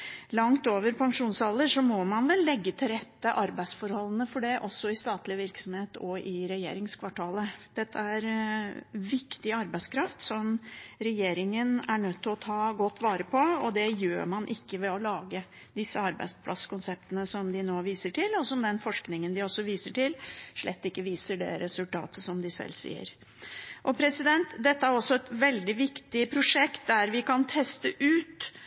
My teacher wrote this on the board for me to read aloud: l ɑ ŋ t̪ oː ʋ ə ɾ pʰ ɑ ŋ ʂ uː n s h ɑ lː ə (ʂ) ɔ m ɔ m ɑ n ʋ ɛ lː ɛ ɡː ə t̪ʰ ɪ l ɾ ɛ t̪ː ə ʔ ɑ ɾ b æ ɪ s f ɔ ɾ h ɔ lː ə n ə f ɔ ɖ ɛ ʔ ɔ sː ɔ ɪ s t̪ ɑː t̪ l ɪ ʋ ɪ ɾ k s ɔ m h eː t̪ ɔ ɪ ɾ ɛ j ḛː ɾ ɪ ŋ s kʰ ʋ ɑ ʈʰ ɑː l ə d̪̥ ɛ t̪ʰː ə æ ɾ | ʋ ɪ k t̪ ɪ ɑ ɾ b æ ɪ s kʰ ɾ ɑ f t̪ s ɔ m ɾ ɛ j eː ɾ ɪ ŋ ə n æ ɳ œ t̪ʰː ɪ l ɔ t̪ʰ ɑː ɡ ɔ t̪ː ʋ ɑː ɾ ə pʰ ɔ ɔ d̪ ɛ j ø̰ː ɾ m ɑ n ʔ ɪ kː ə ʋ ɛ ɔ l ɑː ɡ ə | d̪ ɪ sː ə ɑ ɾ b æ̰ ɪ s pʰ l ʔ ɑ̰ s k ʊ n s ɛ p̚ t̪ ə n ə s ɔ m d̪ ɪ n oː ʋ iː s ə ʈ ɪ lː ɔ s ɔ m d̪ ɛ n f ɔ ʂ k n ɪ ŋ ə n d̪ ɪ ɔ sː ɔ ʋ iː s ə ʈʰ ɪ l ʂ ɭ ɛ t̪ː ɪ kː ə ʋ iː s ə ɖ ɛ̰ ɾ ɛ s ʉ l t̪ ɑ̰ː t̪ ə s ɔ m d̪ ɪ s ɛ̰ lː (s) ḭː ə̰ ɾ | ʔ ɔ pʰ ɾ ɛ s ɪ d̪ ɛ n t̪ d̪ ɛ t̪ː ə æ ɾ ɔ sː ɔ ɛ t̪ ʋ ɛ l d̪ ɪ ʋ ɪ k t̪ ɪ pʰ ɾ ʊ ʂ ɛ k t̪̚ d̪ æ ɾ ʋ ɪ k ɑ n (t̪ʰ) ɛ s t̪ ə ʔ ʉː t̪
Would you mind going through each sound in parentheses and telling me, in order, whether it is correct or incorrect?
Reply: correct, correct, correct

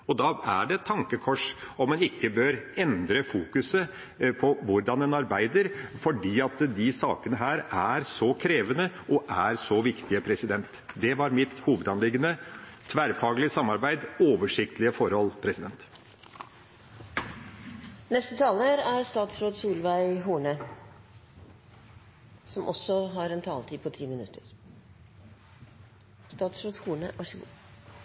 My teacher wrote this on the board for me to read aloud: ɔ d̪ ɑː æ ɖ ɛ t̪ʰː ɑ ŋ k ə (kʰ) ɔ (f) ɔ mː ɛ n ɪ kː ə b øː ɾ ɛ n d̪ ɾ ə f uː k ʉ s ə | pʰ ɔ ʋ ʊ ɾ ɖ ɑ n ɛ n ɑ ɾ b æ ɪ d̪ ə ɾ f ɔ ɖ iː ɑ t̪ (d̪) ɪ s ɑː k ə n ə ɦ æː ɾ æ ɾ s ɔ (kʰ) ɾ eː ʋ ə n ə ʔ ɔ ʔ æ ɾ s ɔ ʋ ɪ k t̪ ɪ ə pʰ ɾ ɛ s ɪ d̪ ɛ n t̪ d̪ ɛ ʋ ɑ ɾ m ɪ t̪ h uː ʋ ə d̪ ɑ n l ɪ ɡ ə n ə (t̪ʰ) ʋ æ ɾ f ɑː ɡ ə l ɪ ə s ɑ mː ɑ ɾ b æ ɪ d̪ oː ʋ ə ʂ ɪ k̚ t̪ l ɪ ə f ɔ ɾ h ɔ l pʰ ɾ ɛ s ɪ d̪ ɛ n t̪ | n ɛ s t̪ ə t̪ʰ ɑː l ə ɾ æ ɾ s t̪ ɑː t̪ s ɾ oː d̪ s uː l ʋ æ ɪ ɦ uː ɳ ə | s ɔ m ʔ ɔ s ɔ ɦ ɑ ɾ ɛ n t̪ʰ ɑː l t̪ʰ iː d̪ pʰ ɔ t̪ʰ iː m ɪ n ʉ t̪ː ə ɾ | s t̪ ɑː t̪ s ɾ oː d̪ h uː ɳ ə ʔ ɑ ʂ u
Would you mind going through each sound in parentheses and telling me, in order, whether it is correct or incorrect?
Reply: correct, incorrect: ʂ, correct, correct, correct

